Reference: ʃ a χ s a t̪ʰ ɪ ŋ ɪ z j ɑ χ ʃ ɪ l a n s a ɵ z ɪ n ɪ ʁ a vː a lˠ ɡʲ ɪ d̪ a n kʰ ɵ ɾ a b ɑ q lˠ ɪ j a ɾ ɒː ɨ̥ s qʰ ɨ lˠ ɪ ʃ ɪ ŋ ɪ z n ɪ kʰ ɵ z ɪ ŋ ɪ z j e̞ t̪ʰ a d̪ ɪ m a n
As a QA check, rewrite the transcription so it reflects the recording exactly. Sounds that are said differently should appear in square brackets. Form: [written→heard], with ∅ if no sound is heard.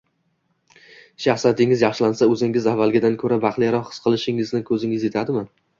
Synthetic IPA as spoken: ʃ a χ s a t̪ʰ ɪ ŋ ɪ z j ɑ χ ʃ ɪ l a n s a ɵ z ɪ [n→ŋ] ɪ [ʁ→z] a vː a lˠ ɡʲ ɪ d̪ a n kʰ ɵ ɾ a b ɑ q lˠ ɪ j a ɾ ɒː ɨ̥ s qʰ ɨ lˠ ɪ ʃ ɪ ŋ ɪ z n ɪ kʰ ɵ z ɪ ŋ ɪ z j e̞ t̪ʰ a d̪ ɪ m a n